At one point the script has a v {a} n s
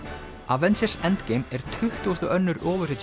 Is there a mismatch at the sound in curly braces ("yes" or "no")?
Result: yes